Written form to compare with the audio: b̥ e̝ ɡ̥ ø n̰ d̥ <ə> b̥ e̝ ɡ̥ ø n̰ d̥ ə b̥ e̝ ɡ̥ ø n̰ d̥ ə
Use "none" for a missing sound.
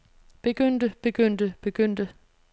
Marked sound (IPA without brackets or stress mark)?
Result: ə